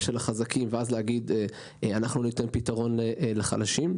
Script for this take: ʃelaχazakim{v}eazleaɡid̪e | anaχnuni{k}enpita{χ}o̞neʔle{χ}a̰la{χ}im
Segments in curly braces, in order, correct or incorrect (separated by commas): correct, incorrect, incorrect, correct, incorrect